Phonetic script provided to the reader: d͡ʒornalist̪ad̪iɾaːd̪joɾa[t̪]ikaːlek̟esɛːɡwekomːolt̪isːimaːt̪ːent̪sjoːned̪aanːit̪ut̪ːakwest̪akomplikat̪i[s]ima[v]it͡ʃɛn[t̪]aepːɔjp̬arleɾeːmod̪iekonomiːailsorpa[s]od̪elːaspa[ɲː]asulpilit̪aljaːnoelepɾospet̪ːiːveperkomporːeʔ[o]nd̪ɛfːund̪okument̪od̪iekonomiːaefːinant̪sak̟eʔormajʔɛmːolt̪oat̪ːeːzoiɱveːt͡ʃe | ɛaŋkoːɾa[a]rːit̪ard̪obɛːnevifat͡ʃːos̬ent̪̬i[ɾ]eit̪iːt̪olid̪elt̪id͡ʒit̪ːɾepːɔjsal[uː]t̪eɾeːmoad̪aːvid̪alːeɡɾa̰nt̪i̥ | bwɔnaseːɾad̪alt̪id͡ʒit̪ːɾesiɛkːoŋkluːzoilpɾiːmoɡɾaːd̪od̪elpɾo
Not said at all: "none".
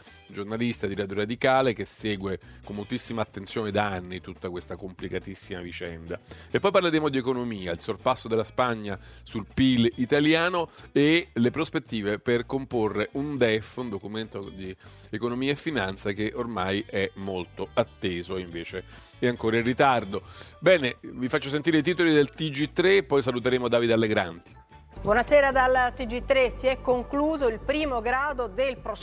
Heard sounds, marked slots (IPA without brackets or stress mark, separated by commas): d̪, sː, v, d̪, sː, ɲː, u, i, ɾ, u